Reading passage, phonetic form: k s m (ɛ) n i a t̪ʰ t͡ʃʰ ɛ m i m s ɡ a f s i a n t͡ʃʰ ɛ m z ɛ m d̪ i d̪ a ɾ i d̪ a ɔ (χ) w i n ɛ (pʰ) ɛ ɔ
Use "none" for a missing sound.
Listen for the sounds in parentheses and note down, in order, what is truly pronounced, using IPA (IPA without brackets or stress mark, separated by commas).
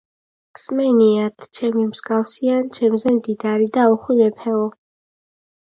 ɛ, χ, pʰ